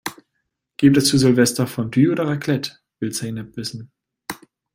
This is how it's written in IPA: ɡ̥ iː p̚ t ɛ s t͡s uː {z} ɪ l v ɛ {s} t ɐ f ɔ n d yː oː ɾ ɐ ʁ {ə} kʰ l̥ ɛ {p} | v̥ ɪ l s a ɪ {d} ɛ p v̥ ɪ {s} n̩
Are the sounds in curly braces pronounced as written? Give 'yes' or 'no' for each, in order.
yes, yes, no, no, no, yes

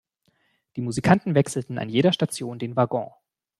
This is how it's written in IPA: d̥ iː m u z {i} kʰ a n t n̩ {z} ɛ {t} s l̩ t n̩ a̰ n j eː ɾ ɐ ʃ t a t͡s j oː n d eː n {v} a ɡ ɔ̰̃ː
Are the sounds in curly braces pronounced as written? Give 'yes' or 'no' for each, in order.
yes, no, no, yes

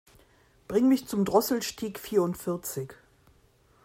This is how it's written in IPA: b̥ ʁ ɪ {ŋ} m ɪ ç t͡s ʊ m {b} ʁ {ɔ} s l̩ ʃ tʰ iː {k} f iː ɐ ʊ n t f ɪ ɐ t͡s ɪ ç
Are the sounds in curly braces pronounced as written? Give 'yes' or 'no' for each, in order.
yes, no, yes, yes

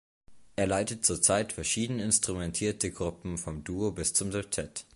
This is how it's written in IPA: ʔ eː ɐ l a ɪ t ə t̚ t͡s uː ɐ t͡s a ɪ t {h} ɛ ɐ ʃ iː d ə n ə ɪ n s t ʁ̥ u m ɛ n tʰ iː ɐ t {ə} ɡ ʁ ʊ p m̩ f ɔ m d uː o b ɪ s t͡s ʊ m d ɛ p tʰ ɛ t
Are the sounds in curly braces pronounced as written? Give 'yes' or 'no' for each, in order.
no, yes

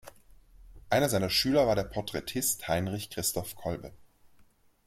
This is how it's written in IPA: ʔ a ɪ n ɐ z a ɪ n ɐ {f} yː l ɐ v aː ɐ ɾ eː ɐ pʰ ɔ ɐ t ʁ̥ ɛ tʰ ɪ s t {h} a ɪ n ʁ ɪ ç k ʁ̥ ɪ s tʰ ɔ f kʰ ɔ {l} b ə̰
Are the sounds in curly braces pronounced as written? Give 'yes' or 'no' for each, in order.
no, yes, yes

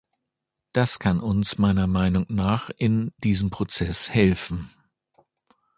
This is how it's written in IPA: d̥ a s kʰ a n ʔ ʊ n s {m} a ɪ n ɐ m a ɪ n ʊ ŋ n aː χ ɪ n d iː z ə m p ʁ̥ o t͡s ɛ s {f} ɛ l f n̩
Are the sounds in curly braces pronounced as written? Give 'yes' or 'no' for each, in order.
yes, no

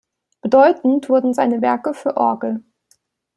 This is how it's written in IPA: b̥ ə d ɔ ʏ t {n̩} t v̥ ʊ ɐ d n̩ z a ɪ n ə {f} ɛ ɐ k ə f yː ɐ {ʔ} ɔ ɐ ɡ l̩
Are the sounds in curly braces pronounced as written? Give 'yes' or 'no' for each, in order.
yes, no, yes

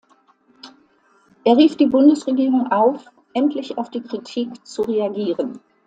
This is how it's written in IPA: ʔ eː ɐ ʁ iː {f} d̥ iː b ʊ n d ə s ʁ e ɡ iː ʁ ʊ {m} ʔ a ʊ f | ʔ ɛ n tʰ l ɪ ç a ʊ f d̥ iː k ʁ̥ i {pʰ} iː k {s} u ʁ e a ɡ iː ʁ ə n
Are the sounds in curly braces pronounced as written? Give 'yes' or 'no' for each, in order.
yes, no, no, no

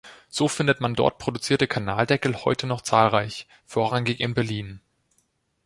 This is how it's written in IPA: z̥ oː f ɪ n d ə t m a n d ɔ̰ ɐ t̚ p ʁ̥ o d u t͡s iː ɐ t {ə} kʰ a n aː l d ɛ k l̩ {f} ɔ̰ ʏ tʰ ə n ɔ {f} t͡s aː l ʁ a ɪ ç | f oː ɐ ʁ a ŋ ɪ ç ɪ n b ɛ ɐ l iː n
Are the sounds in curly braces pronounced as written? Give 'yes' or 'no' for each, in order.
yes, no, no

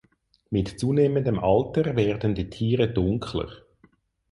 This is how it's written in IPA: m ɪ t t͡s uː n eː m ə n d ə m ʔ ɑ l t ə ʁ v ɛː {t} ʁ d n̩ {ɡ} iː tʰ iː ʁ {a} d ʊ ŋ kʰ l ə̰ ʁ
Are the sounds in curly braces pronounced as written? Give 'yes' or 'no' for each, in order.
no, no, no

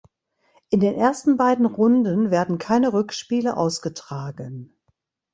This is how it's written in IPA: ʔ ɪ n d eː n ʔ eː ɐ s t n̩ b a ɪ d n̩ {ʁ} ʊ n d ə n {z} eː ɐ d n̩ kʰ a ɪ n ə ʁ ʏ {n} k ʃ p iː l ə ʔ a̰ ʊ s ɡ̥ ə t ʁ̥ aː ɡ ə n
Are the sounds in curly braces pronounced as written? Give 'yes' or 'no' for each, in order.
yes, no, no

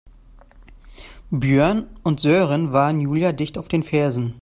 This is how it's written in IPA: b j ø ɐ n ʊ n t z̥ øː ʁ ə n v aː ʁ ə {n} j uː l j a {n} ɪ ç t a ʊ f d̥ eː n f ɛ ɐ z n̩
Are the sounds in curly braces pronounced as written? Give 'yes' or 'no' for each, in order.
yes, no

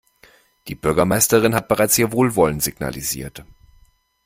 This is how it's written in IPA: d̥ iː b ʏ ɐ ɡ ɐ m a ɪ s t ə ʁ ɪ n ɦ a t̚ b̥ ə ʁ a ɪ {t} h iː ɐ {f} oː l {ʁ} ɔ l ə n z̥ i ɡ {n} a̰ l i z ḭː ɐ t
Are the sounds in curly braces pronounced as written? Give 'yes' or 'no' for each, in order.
no, no, no, yes

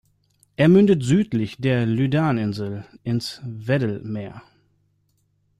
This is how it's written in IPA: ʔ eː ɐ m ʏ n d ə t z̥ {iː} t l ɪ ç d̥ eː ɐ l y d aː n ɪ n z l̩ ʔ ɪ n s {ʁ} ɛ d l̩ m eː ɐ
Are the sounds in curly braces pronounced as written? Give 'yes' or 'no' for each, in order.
no, no

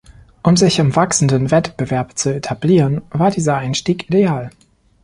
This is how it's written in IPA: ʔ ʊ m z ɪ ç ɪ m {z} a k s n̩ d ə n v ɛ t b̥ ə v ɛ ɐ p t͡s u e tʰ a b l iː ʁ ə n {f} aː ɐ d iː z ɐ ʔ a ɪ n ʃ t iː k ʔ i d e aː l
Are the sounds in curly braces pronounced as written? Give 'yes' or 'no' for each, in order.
no, no

